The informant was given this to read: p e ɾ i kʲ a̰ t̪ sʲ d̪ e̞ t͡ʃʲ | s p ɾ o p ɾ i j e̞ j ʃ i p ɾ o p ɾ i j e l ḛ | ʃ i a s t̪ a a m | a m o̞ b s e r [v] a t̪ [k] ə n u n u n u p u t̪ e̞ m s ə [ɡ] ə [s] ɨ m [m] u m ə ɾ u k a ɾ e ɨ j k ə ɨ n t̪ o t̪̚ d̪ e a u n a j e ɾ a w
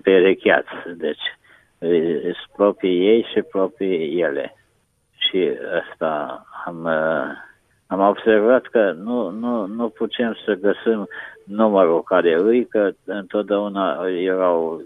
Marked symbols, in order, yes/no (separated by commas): yes, yes, yes, yes, no